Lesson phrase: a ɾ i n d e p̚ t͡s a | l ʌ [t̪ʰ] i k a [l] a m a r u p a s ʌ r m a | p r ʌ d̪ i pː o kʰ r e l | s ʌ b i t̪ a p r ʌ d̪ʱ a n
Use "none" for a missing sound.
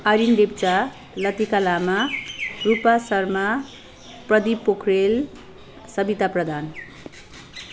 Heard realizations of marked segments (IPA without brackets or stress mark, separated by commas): t̪, l